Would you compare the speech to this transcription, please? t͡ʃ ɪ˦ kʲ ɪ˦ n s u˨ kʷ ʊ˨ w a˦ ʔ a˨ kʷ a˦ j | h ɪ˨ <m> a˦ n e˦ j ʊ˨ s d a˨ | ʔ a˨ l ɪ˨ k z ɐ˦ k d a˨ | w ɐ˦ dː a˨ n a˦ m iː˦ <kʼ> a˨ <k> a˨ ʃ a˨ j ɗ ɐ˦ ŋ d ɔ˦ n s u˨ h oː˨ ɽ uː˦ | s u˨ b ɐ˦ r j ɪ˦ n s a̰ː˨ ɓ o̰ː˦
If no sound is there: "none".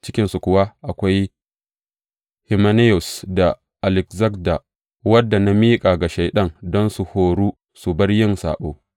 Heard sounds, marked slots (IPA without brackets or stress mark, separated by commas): m, kʼ, ɡ